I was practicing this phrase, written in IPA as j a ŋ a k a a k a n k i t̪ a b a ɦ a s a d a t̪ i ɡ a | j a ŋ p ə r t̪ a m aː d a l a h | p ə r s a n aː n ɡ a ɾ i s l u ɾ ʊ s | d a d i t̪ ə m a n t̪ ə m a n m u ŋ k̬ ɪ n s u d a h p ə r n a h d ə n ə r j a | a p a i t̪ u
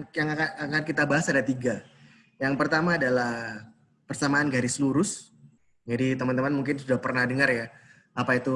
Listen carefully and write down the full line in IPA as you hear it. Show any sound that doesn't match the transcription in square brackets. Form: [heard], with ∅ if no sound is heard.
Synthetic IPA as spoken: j a ŋ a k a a k a n k i t̪ a b a ɦ a s a d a t̪ i ɡ a | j a ŋ p ə r t̪ a m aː d a l a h | p ə r s a [m] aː n ɡ a ɾ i s l u ɾ ʊ s | [d͡ʒ] a d i t̪ ə m a n t̪ ə m a n m u ŋ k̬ ɪ n s u d a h p ə r n a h d ə [ŋ] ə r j a | a p a i t̪ u